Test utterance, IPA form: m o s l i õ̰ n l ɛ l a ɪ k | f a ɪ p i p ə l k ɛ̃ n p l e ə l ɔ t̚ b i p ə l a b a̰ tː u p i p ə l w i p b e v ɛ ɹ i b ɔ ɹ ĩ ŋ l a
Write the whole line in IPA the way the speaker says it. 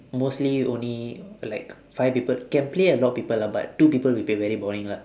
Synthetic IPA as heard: m o s l i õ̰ n l i l a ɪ k | f a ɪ p i p ə l k ɛ̃ n p l e ə l ɔ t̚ p i p ə l a b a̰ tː u p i p ə l w i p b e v ɛ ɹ i b ɔ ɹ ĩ ŋ l a